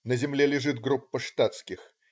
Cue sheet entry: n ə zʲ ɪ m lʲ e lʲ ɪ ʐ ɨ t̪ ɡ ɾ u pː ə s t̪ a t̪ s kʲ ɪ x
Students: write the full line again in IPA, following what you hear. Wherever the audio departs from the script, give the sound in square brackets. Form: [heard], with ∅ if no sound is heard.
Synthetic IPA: n ə zʲ ɪ m lʲ e lʲ ɪ ʐ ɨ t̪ ɡ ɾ u pː ə [ʂ] t̪ a t̪ s kʲ ɪ x

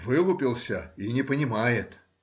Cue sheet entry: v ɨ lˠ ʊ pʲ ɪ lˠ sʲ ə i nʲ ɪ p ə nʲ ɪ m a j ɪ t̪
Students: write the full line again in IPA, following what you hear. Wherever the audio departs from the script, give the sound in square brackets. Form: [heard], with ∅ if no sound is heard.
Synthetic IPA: v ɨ lˠ ʊ pʲ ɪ lˠ sʲ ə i nʲ ɪ p ə nʲ ɪ m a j ɪ t̪

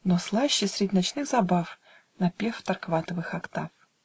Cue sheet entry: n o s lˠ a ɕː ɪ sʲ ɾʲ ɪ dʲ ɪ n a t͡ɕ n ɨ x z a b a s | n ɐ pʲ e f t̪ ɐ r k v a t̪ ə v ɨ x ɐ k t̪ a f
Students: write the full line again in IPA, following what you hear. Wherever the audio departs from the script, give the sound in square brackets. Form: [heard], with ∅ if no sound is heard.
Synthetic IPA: n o s lˠ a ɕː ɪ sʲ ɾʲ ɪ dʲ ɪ n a t͡ɕ n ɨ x z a b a [f] | n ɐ pʲ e f t̪ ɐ r k v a t̪ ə v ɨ x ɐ k t̪ a f

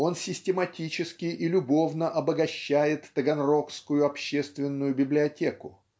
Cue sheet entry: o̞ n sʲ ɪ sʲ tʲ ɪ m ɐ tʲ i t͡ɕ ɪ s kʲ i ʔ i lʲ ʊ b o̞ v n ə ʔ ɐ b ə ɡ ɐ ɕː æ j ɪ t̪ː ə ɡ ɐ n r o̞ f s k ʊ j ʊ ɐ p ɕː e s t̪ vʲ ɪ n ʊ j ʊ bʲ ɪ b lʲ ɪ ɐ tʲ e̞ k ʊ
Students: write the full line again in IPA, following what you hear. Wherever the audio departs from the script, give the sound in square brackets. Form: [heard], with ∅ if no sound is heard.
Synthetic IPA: o̞ n sʲ ɪ sʲ tʲ ɪ m ɐ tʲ i t͡ɕ ɪ s kʲ [ɪ] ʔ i lʲ ʊ b o̞ v n ə ʔ ɐ b ə ɡ ɐ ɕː æ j ɪ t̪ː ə ɡ ɐ n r o̞ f s k ʊ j ʊ ɐ p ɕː e s t̪ vʲ ɪ [nː] ʊ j ʊ bʲ ɪ b lʲ ɪ ɐ tʲ e̞ k ʊ

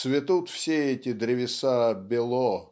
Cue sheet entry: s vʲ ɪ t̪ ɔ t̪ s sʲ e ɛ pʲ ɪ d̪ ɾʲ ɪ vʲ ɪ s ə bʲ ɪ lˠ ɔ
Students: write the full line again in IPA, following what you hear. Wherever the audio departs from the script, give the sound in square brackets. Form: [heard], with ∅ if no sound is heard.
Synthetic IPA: s vʲ ɪ t̪ [u] t̪ [f] sʲ e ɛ [tʲ] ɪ d̪ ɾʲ ɪ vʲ ɪ s [a] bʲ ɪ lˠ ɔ

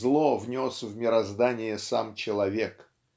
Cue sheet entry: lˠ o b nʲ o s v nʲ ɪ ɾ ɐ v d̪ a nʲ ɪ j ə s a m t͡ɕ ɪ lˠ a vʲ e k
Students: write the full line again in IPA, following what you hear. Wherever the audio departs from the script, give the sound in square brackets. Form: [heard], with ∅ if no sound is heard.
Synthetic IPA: lˠ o [v] nʲ o s v [mʲ] ɪ ɾ ɐ [z] d̪ a nʲ ɪ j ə s a m t͡ɕ ɪ lˠ [ɐ] vʲ e k

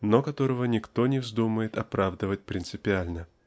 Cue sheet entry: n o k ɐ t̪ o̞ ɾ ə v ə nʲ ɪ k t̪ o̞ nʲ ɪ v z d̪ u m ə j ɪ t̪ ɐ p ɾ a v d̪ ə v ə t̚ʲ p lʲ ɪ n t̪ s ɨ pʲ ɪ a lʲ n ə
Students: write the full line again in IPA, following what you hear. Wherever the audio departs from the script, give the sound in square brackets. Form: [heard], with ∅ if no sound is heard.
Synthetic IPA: n o k ɐ t̪ o̞ ɾ ə v ə nʲ ɪ k t̪ o̞ nʲ ɪ v z d̪ u m ə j ɪ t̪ ɐ p ɾ a v d̪ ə v ə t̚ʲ p [ɾʲ] ɪ n t̪ s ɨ pʲ ɪ a lʲ n ə

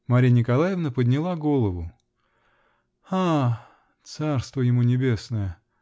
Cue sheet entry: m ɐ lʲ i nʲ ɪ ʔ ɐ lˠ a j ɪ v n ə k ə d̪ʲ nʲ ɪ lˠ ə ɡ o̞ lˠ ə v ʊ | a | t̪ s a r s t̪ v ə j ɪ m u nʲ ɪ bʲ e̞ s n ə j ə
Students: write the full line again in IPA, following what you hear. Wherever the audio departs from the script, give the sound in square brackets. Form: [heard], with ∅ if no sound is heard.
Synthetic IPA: m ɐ [ɾʲ] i nʲ ɪ [k] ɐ lˠ a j ɪ v n ə [p] ə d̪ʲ nʲ ɪ lˠ [a] ɡ o̞ lˠ ə v ʊ | a | t̪ s a r s t̪ v ə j ɪ m u nʲ ɪ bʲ e̞ s n ə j ə

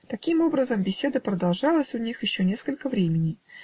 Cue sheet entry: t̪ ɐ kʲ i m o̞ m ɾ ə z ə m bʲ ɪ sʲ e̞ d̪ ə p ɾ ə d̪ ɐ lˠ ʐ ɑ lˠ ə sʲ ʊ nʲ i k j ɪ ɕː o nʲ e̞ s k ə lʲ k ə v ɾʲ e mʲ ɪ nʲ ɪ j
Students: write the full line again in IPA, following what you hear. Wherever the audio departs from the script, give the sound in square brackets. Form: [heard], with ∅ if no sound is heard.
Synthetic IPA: t̪ ɐ kʲ i m o̞ [b] ɾ ə z ə m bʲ ɪ sʲ e̞ d̪ ə p ɾ ə d̪ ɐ lˠ ʐ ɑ lˠ ə sʲ ʊ nʲ i [x] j ɪ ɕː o nʲ e̞ s k ə lʲ k ə v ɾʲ e mʲ ɪ nʲ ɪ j

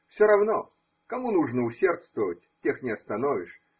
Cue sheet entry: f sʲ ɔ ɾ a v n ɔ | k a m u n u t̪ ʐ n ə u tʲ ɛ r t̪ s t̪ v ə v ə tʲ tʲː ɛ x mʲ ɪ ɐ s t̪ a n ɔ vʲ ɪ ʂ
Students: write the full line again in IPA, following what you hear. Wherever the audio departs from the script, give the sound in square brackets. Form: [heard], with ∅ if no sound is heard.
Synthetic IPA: f sʲ ɔ ɾ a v n ɔ | k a m u n u [∅] ʐ n ə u [sʲ] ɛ r t̪ s t̪ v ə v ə tʲ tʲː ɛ x [nʲ] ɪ ɐ s t̪ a n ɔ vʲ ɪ ʂ

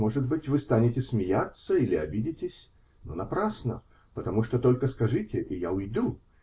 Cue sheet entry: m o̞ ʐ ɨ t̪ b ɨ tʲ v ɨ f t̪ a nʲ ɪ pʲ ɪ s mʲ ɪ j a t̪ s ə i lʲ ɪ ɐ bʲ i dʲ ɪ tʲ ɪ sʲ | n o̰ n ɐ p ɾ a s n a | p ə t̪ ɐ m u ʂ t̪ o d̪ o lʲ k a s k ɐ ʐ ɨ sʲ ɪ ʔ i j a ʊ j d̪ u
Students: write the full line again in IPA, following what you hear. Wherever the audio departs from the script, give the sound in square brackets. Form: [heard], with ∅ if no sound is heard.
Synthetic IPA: m o̞ ʐ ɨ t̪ b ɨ tʲ v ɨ [s] t̪ a nʲ ɪ [tʲ] ɪ s mʲ ɪ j a t̪ s ə i lʲ ɪ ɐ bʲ i dʲ ɪ tʲ ɪ sʲ | n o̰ n ɐ p ɾ a s n [ə] | p ə t̪ ɐ m u ʂ t̪ o [t̪] o lʲ k [ə] s k ɐ ʐ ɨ [tʲ] ɪ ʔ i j a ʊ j d̪ u

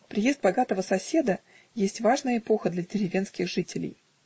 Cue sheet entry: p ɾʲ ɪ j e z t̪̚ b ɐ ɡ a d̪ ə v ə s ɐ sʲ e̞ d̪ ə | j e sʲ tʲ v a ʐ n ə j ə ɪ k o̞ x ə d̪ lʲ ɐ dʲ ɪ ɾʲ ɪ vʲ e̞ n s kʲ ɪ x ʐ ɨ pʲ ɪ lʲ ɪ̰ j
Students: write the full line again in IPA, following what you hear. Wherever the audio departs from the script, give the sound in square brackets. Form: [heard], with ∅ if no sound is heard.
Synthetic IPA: p ɾʲ ɪ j e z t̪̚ b ɐ ɡ a [t̪] ə v ə s ɐ sʲ e̞ d̪ ə | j e sʲ tʲ v a ʐ n ə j ə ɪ [p] o̞ x ə d̪ lʲ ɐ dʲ ɪ ɾʲ ɪ vʲ e̞ n s kʲ ɪ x ʐ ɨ [tʲ] ɪ lʲ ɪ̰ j

